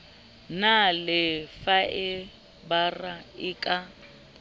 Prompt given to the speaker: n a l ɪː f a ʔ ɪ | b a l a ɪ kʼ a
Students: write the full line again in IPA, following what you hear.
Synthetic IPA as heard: n a l ɪ f a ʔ ɪ | b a r a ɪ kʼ a

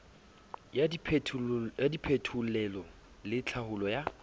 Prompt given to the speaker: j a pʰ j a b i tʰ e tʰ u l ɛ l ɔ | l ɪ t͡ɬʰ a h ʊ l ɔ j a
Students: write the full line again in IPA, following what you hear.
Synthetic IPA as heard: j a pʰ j a d i pʰ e tʰ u l ɛ l ɔ | l ɪ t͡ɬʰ a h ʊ l ɔ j a

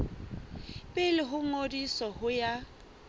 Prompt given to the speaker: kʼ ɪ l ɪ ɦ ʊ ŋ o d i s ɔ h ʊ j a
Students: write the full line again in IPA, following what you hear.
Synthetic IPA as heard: pʼ ɪ l ɪ ɦ ʊ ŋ o d i s ɔ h ʊ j a

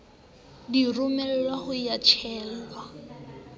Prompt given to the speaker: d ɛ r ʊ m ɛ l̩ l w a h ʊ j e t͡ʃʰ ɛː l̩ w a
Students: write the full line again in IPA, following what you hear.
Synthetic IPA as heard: d i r ʊ m ɛ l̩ l w a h ʊ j a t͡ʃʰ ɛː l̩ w a

